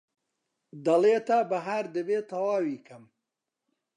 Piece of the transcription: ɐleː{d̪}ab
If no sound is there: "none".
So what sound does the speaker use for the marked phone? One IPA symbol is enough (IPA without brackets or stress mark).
t̪